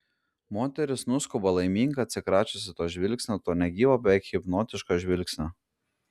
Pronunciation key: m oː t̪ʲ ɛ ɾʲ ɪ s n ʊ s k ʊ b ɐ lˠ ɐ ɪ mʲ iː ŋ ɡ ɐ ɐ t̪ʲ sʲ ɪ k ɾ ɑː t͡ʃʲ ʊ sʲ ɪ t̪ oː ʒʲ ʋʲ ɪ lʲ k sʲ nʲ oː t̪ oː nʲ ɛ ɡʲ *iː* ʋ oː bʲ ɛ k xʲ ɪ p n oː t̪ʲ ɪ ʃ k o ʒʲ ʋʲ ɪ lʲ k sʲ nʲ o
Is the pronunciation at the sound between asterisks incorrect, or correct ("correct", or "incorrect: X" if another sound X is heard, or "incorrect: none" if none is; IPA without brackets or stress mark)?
correct